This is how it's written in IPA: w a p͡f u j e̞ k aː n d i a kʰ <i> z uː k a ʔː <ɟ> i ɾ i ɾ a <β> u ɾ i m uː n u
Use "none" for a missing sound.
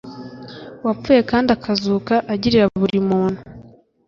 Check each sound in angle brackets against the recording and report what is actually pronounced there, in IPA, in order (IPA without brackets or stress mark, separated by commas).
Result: a, ɟ, β